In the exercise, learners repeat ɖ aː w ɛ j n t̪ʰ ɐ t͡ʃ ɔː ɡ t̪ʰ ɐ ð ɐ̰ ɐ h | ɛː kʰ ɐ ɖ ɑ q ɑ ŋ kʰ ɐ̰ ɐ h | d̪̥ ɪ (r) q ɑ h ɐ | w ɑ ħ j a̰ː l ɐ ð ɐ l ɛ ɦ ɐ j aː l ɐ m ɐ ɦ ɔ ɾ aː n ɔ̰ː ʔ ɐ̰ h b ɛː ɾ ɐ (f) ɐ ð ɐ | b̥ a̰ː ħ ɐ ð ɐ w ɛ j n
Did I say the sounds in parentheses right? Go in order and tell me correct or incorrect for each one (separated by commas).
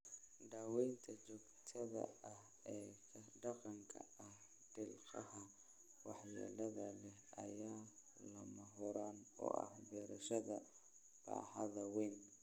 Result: incorrect, incorrect